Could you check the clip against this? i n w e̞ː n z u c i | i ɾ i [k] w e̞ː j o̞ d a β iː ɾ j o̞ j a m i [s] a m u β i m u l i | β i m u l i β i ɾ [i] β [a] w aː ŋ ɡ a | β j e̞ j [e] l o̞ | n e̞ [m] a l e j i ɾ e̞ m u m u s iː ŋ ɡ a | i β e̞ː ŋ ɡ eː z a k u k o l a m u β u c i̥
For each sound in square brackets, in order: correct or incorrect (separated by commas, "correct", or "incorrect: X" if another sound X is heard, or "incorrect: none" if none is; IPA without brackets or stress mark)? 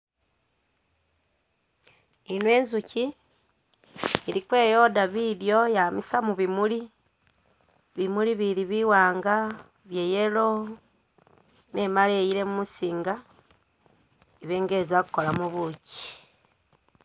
correct, correct, correct, incorrect: i, correct, correct